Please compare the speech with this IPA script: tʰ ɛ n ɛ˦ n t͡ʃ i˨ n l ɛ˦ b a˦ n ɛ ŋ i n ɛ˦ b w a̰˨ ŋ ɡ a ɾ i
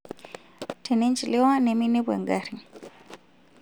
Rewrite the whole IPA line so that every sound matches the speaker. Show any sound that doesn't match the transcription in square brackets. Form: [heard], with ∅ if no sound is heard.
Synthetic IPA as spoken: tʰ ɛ n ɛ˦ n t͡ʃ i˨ [∅] l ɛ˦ [w] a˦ n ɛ [m] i n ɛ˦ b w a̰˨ ŋ ɡ a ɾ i